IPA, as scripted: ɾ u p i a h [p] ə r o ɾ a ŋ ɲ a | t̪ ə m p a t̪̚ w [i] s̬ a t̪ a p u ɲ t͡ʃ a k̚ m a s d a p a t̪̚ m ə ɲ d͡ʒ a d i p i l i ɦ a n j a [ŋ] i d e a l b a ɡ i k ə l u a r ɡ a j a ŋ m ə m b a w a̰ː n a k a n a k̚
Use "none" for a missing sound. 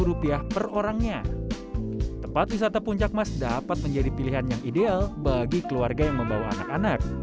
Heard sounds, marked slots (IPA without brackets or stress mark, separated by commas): p, i, ŋ